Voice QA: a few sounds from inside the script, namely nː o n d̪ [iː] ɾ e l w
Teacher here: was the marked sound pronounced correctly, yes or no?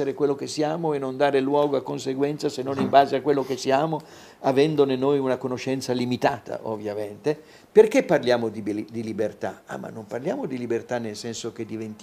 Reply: no